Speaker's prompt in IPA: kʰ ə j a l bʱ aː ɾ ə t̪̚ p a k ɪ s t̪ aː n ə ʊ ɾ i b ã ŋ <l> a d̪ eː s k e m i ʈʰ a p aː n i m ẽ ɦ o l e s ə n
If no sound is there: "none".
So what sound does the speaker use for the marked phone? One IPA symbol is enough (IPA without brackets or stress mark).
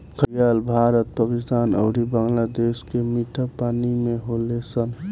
l